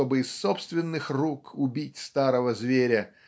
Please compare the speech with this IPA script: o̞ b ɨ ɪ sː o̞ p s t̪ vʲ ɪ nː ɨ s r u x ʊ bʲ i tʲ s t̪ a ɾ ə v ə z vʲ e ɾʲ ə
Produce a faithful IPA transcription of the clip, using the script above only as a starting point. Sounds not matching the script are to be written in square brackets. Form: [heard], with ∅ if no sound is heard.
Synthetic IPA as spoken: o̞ b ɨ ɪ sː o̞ p s t̪ vʲ ɪ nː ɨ [x] r u [k] ʊ bʲ i tʲ s t̪ a ɾ ə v ə z vʲ e ɾʲ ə